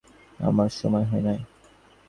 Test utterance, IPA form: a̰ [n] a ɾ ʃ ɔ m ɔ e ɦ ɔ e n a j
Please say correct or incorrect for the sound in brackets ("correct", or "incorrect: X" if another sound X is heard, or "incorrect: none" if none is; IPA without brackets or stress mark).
incorrect: m